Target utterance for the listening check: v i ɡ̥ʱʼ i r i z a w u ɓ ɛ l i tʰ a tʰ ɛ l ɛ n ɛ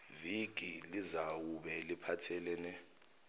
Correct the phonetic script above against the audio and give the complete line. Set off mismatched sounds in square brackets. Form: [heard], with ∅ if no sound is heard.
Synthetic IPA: v i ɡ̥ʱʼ i [l] i z a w u ɓ ɛ l i [pʰ] a tʰ ɛ l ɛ n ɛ